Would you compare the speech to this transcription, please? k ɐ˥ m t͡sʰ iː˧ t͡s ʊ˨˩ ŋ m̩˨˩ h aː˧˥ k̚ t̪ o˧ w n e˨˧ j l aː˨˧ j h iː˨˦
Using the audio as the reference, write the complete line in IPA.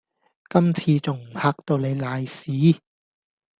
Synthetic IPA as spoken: k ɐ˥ m t͡sʰ iː˧ t͡s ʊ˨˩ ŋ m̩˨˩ h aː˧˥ k̚ t̪ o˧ w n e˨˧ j l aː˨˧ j s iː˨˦